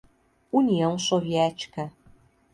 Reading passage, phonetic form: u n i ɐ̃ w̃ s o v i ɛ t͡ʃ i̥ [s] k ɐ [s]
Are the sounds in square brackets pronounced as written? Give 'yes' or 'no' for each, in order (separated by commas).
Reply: no, no